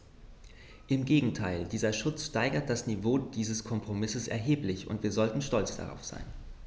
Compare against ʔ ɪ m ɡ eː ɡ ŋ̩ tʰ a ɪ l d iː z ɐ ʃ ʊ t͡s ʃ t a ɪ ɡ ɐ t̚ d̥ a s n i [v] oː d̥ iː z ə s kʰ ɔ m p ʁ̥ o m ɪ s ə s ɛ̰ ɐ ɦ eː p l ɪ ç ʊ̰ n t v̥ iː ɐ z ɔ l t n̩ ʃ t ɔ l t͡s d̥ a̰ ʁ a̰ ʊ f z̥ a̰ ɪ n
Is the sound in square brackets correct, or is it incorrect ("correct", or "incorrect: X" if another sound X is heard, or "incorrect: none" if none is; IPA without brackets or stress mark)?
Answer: correct